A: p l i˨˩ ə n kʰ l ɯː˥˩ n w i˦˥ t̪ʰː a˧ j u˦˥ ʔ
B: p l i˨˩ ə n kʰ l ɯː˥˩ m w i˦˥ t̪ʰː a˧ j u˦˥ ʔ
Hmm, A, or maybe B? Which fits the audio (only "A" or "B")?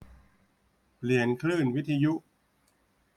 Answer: A